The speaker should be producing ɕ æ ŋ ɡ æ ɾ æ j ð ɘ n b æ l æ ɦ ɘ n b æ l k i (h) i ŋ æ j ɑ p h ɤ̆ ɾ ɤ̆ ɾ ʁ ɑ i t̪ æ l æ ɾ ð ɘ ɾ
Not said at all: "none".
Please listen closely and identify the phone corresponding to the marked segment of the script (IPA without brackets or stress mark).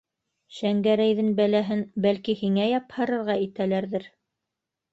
h